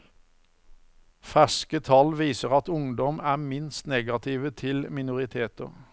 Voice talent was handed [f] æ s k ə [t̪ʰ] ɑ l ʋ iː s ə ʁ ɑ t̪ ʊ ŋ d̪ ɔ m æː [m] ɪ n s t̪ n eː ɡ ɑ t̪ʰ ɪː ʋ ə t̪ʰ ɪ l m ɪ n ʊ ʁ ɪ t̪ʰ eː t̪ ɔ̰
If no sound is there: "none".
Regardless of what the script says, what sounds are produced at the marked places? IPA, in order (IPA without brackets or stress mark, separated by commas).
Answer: f, t̪ʰ, m